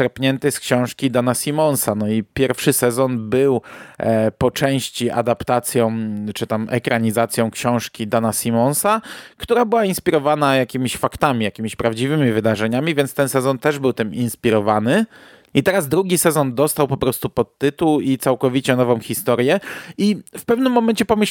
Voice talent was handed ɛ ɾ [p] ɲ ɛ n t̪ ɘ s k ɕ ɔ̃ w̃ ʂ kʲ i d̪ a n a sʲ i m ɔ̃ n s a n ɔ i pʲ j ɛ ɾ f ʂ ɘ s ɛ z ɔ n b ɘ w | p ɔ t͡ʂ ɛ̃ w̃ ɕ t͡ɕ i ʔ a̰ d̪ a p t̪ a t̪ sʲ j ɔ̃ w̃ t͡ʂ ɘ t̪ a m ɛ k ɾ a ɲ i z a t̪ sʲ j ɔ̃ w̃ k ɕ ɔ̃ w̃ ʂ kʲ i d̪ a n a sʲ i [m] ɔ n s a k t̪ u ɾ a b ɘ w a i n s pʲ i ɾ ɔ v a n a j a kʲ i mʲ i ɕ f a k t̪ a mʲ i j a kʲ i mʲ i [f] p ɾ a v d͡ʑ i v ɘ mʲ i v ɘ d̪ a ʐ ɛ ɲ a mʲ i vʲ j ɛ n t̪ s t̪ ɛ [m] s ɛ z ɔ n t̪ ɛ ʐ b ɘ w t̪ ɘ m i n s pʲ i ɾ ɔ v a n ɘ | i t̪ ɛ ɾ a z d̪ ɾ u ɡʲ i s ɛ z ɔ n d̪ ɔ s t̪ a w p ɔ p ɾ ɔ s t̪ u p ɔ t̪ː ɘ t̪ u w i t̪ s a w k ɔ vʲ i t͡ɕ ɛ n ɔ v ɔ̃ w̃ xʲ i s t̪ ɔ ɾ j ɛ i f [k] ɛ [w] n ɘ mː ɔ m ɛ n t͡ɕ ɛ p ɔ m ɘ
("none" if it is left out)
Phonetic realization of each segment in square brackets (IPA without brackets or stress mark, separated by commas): p, m, ɕ, n, p, v